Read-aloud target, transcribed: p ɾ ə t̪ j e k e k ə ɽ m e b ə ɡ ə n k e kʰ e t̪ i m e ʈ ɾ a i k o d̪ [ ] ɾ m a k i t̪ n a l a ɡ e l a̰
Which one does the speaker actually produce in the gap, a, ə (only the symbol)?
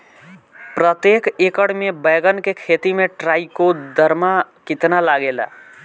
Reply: ə